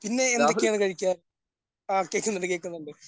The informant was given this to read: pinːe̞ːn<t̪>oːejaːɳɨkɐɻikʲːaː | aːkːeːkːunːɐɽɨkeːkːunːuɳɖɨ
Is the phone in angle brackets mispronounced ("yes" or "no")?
yes